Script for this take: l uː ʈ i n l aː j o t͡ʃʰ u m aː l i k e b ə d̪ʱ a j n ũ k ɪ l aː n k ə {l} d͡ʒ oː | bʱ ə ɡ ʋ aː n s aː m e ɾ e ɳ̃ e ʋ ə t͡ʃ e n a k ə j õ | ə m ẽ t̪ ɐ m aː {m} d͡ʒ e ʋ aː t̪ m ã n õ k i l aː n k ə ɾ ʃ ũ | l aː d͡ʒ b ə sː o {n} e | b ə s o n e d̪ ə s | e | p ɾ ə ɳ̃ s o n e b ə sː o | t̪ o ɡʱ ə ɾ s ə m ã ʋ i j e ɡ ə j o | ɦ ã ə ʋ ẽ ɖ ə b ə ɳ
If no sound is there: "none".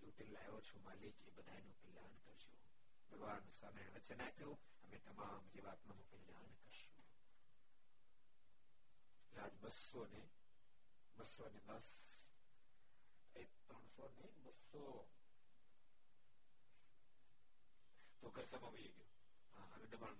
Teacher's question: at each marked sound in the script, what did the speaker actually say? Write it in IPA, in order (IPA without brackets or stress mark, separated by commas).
ɾ, m, n